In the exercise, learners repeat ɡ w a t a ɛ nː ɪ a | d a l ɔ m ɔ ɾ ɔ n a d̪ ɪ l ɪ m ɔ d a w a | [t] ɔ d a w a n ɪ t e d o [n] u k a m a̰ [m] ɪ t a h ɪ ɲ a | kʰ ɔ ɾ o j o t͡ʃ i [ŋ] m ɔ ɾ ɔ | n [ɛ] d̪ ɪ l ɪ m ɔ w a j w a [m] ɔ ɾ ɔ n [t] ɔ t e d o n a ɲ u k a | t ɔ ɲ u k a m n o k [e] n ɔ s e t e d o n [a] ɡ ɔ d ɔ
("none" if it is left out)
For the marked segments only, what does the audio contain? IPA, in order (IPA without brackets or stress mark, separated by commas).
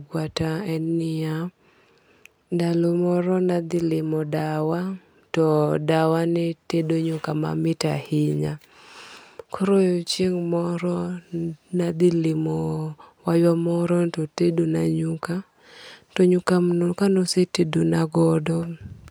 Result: t, ɲ, m, ŋ, a, m, t, a, a